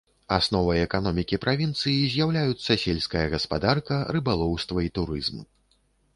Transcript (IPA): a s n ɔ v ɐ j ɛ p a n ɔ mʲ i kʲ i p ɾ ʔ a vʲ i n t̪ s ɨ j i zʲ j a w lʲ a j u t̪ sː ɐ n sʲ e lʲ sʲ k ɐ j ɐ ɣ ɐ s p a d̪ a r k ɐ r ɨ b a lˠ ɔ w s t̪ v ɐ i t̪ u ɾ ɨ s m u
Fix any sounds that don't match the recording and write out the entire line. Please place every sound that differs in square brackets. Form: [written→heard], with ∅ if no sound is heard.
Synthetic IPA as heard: a s n ɔ v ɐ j ɛ [p→k] a n ɔ mʲ i kʲ i p ɾ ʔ a vʲ i n t̪ s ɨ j i zʲ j a w lʲ a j u t̪ sː ɐ [n→∅] sʲ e lʲ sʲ k ɐ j ɐ ɣ ɐ s p a d̪ a r k ɐ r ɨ b a lˠ ɔ w s t̪ v ɐ i t̪ u ɾ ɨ [s→z] m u